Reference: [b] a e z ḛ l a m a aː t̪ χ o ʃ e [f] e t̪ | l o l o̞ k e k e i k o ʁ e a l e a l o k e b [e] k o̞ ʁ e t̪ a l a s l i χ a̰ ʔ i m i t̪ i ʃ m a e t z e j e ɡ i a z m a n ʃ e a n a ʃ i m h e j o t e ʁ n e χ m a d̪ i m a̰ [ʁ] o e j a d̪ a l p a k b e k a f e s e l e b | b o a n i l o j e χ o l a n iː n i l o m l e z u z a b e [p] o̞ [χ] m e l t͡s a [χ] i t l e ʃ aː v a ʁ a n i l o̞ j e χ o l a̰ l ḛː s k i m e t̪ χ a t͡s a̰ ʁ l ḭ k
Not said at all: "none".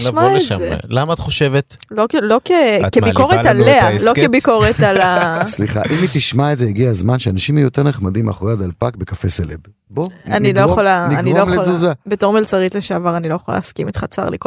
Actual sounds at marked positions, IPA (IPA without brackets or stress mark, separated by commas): m, v, i, χ, t, ʁ, ʁ